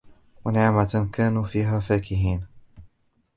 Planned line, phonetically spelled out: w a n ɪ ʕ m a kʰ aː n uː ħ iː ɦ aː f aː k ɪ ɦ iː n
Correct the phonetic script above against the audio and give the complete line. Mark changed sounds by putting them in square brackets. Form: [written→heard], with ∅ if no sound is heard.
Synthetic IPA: w a n ɪ ʕ m a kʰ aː n uː [ħ→f] iː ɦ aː f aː k ɪ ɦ iː n